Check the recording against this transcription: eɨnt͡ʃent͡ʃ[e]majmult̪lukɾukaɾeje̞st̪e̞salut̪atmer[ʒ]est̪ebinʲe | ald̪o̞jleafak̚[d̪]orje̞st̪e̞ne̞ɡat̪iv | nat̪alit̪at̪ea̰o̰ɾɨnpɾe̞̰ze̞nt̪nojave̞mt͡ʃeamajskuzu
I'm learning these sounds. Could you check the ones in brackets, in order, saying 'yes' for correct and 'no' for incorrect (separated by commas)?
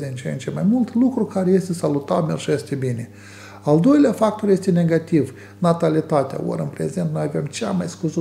yes, yes, no